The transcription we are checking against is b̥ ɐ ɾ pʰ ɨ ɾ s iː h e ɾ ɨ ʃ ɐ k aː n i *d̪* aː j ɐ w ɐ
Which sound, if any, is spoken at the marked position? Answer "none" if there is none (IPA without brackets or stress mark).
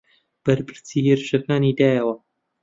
d̪